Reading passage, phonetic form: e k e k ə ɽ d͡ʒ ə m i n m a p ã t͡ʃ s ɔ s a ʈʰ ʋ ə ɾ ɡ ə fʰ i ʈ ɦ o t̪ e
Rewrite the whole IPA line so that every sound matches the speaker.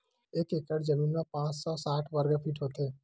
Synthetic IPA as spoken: e k e k ə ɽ d͡ʒ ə m i n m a p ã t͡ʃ s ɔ s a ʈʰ ʋ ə ɾ ɡ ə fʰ i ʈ ɦ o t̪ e